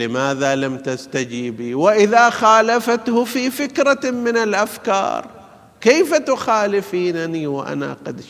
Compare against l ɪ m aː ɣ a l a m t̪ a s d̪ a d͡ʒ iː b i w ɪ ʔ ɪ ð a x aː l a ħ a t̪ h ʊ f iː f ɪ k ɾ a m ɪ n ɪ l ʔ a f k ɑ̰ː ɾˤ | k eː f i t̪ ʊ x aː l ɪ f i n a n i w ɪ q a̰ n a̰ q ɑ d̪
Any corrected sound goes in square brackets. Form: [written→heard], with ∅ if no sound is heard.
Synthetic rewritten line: l ɪ m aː [ɣ→ð] a l a m t̪ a s [d̪→t̪] a d͡ʒ iː b i w ɪ ʔ ɪ ð a x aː l a [ħ→f] a t̪ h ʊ f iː f ɪ k ɾ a m ɪ n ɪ l ʔ a f k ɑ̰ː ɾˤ | k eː f [i→a] t̪ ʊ x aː l ɪ f [i→iː] n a n i w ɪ [q→ʔ] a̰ n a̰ q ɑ d̪